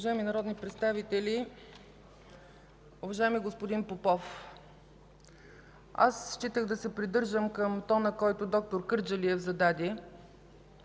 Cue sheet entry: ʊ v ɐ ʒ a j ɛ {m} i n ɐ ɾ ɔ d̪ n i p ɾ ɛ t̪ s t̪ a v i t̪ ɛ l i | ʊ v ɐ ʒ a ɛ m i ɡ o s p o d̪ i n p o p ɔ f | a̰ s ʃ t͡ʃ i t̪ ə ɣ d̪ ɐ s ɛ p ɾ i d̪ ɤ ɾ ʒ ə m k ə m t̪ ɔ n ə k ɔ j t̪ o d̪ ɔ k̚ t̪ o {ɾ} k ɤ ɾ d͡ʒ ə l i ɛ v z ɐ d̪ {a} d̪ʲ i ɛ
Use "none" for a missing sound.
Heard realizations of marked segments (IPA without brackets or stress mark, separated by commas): m, ɾ, a